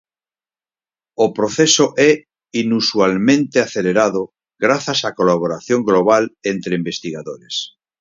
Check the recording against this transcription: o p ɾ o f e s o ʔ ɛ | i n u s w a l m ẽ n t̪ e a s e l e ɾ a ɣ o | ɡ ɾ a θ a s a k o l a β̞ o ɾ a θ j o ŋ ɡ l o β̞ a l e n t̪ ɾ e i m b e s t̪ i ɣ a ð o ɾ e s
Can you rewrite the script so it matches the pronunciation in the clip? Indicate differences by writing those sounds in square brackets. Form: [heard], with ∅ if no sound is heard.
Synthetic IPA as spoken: o p ɾ o [θ] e s o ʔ ɛ | i n u s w a l m ẽ n t̪ e a [θ] e l e ɾ a [ð] o | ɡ ɾ a θ a s a k o l a β̞ o ɾ a θ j o ŋ ɡ l o β̞ a l e n t̪ ɾ e i m b e s t̪ i ɣ a ð o ɾ e s

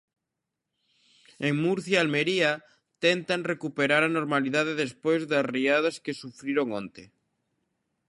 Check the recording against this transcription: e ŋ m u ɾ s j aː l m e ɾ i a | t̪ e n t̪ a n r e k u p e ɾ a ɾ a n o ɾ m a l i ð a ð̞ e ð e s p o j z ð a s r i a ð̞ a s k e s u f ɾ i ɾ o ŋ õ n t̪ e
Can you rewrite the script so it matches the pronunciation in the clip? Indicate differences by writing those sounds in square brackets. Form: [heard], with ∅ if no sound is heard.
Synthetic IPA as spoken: e ŋ m u ɾ [θ] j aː l m e ɾ i a | t̪ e n t̪ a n r e k u p e ɾ a ɾ a n o ɾ m a l i ð a ð̞ e ð e s p o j z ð a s r i a ð̞ a s k e s u f ɾ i ɾ o ŋ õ n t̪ e

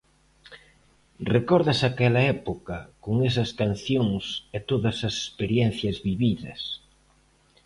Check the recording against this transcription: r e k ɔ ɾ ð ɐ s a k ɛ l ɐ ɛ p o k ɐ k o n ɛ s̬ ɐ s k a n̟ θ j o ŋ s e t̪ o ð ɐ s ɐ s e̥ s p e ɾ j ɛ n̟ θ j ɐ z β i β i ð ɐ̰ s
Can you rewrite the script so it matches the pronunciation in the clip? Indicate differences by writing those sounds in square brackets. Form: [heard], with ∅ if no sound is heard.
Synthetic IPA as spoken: r e k ɔ ɾ ð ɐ s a k ɛ l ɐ ɛ p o k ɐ k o [ŋ] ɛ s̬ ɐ s k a n̟ θ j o ŋ s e t̪ o ð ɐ s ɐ s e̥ s p e ɾ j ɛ n̟ θ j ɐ z β i β i ð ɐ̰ s

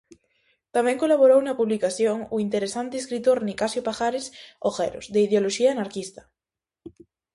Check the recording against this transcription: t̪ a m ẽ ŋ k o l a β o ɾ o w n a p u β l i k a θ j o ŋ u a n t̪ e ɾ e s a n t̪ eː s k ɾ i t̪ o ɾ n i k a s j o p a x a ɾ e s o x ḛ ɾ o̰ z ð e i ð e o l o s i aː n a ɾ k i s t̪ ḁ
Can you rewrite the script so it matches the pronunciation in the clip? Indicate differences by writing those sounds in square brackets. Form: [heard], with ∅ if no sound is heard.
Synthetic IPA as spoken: t̪ a m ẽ ŋ k o l a β o ɾ o w n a p u β l i k a θ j o ŋ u [i] n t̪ e ɾ e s a n t̪ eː s k ɾ i t̪ o ɾ n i k a s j o p a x a ɾ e s o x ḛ ɾ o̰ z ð e i ð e o l o [ʃ] i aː n a ɾ k i s t̪ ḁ

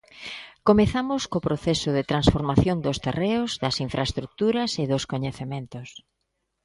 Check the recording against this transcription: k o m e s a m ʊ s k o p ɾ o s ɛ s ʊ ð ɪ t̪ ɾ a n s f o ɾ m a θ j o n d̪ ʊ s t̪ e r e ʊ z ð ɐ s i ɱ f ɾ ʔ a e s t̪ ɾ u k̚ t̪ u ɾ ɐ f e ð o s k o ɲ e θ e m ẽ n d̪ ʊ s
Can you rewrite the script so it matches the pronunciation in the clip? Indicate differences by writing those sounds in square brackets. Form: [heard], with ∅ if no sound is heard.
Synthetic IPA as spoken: k o m e [θ] a m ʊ s k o p ɾ o [θ] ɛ s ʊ ð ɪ t̪ ɾ a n s f o ɾ m a θ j o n d̪ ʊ s t̪ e r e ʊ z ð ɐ s i ɱ f ɾ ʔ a e s t̪ ɾ u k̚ t̪ u ɾ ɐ [s] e ð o s k o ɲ e θ e m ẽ n [t̪] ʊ s

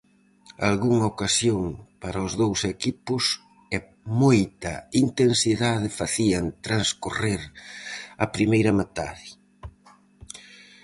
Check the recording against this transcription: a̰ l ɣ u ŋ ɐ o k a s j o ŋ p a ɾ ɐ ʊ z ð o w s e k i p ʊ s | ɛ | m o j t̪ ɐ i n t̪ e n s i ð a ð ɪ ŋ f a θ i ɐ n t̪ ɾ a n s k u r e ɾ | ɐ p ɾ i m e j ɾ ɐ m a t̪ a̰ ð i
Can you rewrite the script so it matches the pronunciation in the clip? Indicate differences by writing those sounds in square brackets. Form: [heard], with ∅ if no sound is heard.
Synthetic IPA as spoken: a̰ l ɣ u ŋ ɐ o k a s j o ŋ p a ɾ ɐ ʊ z ð o w s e k i p ʊ s | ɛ | m o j t̪ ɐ i n t̪ e n s i ð a ð ɪ [∅] f a θ i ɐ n t̪ ɾ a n s k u r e ɾ | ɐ p ɾ i m e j ɾ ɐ m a t̪ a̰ ð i

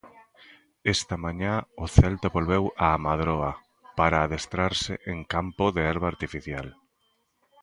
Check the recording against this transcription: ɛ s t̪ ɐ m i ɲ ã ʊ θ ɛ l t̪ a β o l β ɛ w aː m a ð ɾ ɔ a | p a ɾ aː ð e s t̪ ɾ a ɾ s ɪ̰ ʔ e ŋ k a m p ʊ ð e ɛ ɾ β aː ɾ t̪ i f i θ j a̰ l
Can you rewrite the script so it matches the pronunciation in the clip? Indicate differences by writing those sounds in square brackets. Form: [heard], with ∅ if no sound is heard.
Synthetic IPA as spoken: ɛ s t̪ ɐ m [a] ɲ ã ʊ θ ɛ l t̪ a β o l β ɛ w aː m a ð ɾ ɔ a | p a ɾ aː ð e s t̪ ɾ a ɾ s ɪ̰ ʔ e ŋ k a m p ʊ ð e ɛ ɾ β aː ɾ t̪ i f i θ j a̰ l

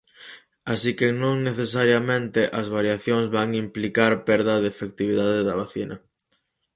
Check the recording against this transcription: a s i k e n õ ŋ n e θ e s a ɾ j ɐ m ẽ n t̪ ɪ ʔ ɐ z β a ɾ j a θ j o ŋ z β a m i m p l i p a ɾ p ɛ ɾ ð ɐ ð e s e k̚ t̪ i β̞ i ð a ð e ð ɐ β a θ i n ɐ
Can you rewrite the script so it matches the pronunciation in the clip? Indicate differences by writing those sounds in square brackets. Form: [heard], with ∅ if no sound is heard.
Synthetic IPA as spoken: a s i k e n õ ŋ n e θ e s a ɾ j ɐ m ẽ n t̪ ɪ ʔ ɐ z β a ɾ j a θ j o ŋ z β a [ŋ] i m p l i [k] a ɾ p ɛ ɾ ð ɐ ð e [f] e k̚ t̪ i β̞ i ð a ð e ð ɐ β a θ i n ɐ

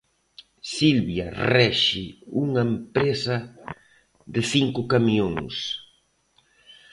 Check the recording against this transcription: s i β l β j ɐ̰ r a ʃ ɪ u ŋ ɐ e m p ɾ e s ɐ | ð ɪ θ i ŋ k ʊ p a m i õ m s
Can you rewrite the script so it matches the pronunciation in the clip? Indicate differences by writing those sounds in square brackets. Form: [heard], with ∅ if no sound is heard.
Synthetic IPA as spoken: s i [∅] l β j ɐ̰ r [ɛ] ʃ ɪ u ŋ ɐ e m p ɾ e s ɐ | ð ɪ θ i ŋ k ʊ [k] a m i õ [ŋ] s

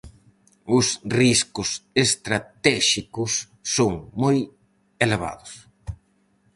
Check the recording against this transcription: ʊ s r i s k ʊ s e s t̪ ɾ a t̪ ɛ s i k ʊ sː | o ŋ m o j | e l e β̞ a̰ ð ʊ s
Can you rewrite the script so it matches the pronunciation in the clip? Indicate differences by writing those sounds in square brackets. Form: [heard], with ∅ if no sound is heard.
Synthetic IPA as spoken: ʊ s r i s k ʊ s e s t̪ ɾ a t̪ ɛ [ʃ] i k ʊ sː | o ŋ m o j | e l e β̞ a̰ ð ʊ s

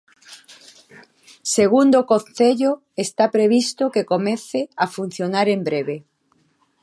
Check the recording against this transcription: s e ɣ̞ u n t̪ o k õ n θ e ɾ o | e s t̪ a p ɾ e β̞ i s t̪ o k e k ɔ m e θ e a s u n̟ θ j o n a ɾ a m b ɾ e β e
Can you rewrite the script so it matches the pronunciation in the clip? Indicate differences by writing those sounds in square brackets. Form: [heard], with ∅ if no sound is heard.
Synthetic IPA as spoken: s e ɣ̞ u n [d̪] o k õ n θ e [ʎ] o | e s t̪ a p ɾ e β̞ i s t̪ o k e k [o] m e θ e a [f] u n̟ θ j o n a ɾ [e] m b ɾ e β e

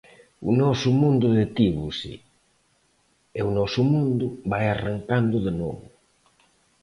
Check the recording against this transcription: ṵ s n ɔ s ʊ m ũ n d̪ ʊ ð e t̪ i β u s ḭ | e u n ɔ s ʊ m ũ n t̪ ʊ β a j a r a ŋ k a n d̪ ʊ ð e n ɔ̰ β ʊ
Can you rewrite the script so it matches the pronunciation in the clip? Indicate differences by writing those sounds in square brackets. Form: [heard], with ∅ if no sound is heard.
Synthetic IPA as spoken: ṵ [∅] n ɔ s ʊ m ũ n d̪ ʊ ð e t̪ i β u s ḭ | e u n ɔ s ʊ m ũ n [d̪] ʊ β a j a r a ŋ k a n d̪ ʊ ð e n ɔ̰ β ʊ

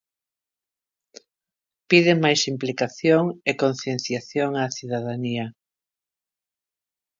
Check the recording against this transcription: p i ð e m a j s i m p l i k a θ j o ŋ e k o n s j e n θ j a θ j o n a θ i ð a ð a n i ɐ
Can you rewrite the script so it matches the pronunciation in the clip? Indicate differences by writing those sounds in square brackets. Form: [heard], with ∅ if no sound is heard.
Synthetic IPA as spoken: p i ð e m a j s i m p l i k a θ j o ŋ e k o n [θ] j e n θ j a θ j o [ŋ] a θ i ð a ð a n i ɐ

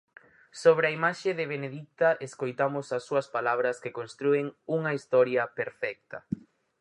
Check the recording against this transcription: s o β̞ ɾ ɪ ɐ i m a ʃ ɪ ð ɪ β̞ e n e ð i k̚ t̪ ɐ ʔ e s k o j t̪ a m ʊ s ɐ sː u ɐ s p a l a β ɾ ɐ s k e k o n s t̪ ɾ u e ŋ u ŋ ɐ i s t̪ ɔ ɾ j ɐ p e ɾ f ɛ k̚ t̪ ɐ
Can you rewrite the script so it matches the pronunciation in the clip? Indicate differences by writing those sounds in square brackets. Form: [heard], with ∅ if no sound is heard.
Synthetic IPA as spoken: s o β̞ ɾ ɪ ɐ i m a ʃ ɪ ð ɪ β̞ e n e ð i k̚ t̪ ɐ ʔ e s k o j t̪ a m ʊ s ɐ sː u ɐ s p a l a β ɾ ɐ s k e k o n s t̪ ɾ u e ŋ u ŋ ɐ i s t̪ ɔ ɾ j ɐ p e ɾ f ɛ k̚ t̪ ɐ

